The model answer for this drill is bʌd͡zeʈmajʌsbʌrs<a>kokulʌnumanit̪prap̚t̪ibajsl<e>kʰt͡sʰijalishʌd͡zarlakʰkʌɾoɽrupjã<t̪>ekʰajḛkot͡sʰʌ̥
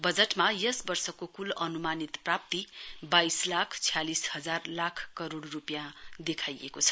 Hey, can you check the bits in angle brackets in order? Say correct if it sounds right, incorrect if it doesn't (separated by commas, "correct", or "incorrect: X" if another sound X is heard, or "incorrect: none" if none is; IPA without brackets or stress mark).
incorrect: ʌ, incorrect: a, incorrect: d̪